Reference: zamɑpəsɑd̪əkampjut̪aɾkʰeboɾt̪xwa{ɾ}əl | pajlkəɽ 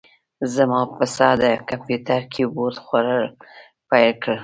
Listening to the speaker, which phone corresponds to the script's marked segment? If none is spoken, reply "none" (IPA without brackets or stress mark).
ɾ